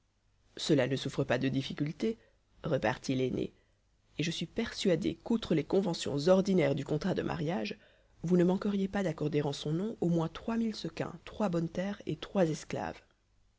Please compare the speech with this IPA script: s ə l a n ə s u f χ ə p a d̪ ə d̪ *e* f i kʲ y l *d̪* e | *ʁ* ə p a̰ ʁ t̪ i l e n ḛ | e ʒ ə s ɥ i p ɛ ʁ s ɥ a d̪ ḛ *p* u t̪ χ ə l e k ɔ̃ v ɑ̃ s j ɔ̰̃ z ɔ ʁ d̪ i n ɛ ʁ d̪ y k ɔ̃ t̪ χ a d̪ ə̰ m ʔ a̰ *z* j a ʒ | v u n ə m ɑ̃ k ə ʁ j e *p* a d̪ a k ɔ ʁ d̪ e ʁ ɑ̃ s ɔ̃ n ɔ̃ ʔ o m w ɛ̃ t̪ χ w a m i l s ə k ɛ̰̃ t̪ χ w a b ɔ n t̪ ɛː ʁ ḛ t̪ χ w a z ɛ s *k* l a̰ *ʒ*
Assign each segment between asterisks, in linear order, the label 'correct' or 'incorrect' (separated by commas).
incorrect, incorrect, correct, incorrect, incorrect, correct, correct, incorrect